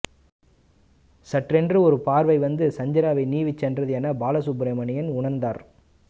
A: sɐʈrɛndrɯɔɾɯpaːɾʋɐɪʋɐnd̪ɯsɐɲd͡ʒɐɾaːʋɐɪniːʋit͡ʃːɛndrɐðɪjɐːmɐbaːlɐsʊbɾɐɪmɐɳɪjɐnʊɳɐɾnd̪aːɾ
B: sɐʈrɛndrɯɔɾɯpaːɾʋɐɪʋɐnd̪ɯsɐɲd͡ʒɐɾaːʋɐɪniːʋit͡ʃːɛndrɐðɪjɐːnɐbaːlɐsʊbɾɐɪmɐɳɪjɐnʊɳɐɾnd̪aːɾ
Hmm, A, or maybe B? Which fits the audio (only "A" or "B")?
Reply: B